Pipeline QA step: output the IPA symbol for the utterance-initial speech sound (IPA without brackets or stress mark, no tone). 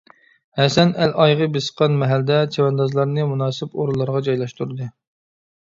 h